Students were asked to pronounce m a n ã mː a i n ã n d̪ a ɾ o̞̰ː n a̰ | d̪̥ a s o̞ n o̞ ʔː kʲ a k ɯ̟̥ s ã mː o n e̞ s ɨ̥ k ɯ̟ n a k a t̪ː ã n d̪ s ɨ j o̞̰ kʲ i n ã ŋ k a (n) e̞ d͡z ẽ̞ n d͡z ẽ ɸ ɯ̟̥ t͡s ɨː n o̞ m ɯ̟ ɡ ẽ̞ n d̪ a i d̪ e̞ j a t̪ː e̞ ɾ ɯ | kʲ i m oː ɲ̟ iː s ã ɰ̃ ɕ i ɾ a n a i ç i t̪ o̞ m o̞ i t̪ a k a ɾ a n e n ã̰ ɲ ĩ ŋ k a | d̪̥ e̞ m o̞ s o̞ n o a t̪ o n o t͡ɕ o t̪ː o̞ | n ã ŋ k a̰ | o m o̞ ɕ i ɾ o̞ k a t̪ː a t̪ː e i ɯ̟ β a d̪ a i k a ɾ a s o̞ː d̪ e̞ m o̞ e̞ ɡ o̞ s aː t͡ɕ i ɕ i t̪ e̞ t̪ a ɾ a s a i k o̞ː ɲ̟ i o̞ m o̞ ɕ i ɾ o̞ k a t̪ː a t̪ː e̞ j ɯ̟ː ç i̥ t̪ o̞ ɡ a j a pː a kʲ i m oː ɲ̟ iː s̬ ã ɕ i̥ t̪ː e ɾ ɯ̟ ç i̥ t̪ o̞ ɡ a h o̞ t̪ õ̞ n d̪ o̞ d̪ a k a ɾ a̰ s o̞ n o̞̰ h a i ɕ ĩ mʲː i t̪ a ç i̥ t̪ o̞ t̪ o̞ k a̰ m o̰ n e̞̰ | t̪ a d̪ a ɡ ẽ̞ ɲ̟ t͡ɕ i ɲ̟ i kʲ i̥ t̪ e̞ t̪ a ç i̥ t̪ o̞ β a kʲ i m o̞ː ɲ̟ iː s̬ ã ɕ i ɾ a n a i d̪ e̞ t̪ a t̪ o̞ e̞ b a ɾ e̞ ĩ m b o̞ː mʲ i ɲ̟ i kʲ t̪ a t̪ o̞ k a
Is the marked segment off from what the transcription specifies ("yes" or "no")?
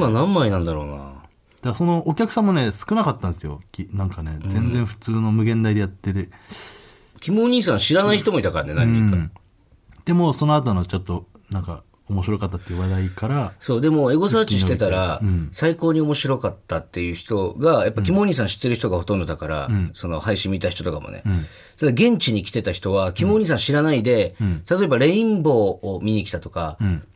no